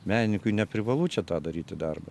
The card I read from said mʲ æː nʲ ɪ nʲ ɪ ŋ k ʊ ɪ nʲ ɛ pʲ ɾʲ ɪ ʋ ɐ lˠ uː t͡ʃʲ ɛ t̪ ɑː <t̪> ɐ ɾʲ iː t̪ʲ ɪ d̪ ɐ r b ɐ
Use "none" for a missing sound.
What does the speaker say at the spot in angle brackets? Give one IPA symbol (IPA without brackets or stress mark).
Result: d̪